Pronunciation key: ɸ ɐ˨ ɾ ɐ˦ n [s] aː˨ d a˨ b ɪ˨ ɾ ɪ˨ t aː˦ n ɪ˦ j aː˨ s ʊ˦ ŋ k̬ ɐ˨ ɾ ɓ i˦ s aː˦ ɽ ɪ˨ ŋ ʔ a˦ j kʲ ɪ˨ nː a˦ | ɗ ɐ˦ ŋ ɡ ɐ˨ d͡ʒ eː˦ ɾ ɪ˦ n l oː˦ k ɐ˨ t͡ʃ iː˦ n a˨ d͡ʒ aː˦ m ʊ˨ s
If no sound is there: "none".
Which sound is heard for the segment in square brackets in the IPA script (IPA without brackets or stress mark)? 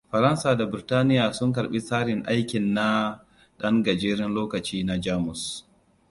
s